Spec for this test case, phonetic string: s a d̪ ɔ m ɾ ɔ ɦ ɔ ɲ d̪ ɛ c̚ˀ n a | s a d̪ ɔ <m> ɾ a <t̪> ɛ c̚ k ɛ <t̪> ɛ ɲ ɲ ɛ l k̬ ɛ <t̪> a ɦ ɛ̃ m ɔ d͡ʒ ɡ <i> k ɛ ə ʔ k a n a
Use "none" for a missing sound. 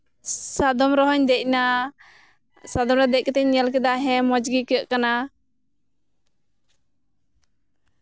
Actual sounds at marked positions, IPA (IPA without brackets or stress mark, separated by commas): m, d̪, t̪, d̪, i